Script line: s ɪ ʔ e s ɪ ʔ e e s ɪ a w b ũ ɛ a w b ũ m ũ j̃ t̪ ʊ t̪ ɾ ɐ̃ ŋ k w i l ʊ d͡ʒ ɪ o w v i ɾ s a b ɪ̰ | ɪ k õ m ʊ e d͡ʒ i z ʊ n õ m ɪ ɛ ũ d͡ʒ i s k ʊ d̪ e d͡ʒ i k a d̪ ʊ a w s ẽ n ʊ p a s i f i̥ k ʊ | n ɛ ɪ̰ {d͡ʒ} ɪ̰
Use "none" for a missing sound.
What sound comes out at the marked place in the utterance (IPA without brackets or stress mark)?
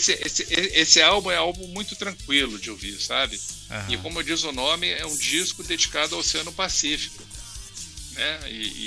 none